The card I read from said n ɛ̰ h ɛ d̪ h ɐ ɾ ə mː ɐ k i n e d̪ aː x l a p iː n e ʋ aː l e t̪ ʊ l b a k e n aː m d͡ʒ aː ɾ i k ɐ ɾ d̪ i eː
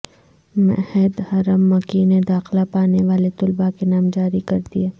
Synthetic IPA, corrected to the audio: m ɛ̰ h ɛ d̪ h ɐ ɾ ə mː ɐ k i n e d̪ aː x l a p aː n e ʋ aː l e t̪ ʊ l b a k e n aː m d͡ʒ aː ɾ i k ɐ ɾ d̪ i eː